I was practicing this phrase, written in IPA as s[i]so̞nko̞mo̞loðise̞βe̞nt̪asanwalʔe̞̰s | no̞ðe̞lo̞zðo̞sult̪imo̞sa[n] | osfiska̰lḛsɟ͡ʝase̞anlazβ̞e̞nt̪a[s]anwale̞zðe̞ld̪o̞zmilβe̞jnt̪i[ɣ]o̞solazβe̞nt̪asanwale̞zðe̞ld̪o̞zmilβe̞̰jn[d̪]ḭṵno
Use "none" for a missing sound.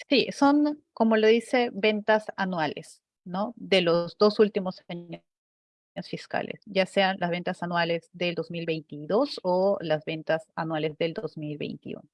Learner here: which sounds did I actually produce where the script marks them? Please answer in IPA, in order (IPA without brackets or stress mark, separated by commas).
i, ɲ, s, ð, t̪